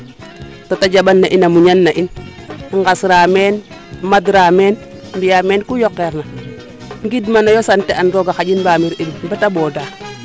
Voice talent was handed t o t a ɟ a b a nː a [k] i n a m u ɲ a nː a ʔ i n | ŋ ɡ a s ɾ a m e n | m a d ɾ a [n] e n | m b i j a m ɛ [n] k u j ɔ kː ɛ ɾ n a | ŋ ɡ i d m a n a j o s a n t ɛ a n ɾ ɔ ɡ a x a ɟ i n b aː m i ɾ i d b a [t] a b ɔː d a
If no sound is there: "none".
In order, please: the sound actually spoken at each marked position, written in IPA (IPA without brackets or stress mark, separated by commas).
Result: ʔ, m, n, t